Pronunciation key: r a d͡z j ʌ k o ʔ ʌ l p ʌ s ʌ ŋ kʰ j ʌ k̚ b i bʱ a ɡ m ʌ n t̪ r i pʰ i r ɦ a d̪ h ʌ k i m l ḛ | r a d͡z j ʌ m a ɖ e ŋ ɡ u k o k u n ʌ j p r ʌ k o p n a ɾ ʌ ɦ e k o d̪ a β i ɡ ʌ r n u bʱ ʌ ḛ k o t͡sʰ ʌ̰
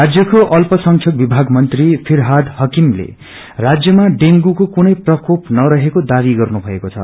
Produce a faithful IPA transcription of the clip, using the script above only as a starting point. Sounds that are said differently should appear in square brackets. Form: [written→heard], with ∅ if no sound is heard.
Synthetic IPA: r a d͡z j ʌ k o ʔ ʌ l p ʌ s ʌ ŋ kʰ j ʌ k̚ b i bʱ a ɡ m ʌ n t̪ r i pʰ i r ɦ a d̪ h ʌ k i m l ḛ | r a d͡z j ʌ m a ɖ e ŋ ɡ u k o k u n ʌ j p r ʌ k o p n [a→ʌ] ɾ ʌ ɦ e k o d̪ a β i ɡ ʌ r n u bʱ ʌ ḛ k o t͡sʰ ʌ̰